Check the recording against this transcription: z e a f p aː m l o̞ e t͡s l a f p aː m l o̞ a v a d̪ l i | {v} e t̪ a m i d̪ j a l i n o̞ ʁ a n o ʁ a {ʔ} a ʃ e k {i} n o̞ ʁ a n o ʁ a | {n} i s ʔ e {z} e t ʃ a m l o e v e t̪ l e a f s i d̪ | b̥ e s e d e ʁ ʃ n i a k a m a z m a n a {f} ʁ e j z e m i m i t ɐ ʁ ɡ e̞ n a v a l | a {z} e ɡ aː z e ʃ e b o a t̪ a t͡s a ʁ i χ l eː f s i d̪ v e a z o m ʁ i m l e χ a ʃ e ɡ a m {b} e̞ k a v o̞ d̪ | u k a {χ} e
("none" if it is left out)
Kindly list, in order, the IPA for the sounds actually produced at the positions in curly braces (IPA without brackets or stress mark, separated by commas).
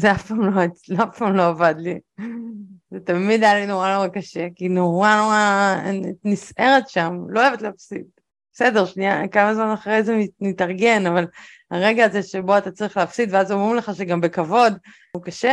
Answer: z, k, i, n, ʁ, χ, ʁ, b, ʃ